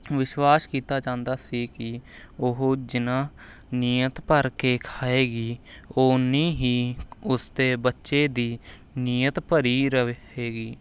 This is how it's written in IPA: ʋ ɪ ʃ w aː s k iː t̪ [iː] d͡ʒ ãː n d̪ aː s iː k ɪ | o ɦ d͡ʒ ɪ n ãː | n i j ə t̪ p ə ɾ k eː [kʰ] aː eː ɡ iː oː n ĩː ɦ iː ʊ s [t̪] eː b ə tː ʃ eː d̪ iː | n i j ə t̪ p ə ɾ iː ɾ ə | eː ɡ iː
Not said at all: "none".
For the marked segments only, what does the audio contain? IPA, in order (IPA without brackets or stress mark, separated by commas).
aː, kʰ, t̪